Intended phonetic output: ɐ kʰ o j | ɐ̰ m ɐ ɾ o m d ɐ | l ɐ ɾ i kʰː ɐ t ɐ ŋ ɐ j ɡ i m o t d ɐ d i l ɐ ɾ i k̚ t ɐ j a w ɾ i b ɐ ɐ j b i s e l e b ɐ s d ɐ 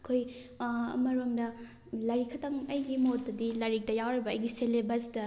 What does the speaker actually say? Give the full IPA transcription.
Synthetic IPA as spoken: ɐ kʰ o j | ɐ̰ m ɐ ɾ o m d ɐ | l ɐ ɾ i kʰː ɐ t ɐ ŋ ɐ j ɡ i m o t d ɐ d i l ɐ ɾ i k̚ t ɐ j a w ɾ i b ɐ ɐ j ɡ i s e l e b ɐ s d ɐ